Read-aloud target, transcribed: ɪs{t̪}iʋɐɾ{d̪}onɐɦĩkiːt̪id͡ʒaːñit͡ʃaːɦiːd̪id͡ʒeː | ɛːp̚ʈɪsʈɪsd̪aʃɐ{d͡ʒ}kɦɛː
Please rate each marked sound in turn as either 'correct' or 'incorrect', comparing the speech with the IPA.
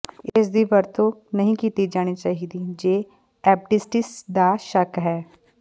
incorrect, incorrect, incorrect

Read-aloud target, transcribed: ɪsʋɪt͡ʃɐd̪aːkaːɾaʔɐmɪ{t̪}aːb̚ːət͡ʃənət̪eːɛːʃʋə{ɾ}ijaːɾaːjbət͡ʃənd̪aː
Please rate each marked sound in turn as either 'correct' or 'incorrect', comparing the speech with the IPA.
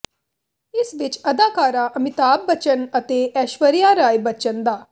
correct, correct

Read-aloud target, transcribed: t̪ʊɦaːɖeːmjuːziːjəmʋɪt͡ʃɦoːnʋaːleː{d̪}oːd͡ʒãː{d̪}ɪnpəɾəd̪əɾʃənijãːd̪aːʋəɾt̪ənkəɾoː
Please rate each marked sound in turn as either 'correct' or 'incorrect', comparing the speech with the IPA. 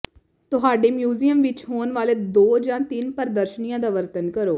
correct, incorrect

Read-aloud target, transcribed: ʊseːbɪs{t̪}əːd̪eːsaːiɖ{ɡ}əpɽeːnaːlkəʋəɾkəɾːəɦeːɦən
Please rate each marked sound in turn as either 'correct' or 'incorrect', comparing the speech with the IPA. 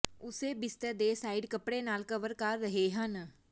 correct, incorrect

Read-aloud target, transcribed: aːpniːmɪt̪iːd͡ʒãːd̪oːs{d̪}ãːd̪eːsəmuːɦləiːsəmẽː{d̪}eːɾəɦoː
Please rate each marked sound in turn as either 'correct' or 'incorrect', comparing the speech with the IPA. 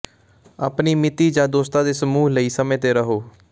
incorrect, incorrect

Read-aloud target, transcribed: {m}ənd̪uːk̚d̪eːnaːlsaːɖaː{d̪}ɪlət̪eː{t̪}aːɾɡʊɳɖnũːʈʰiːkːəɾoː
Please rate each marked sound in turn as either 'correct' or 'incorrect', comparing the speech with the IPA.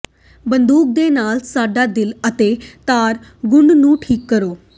incorrect, correct, correct

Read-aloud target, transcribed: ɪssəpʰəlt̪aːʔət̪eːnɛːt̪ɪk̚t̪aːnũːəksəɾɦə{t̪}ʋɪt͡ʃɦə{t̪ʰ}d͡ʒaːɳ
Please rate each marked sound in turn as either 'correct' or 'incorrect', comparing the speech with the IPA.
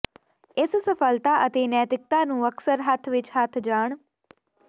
incorrect, correct

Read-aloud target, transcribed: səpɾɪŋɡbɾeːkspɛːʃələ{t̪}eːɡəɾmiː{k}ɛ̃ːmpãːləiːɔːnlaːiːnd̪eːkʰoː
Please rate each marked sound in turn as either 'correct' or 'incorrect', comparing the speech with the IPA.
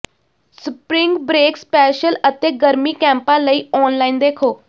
correct, correct

